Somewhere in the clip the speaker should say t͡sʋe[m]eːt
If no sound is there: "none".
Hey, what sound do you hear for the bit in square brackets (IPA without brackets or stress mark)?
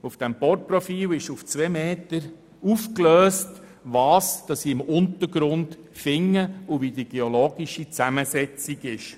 m